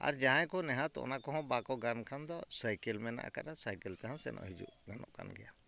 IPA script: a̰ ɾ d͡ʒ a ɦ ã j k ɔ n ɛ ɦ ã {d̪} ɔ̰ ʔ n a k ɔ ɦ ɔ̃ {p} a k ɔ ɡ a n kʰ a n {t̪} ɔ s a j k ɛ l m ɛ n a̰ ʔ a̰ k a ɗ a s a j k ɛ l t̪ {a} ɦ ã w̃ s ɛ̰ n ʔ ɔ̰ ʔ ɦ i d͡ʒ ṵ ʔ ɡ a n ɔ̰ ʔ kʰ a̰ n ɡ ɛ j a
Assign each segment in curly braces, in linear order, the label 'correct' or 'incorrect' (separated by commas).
incorrect, incorrect, incorrect, incorrect